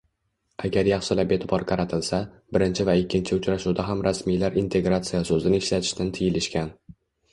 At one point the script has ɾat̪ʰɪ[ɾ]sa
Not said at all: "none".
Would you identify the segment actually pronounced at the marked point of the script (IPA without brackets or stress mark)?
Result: l